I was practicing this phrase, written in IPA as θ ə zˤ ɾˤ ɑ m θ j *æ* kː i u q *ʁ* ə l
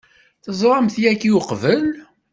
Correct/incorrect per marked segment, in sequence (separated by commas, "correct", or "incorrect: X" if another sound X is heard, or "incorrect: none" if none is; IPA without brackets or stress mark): correct, incorrect: v